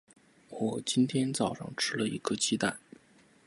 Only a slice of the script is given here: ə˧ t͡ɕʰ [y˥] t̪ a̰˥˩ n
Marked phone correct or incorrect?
incorrect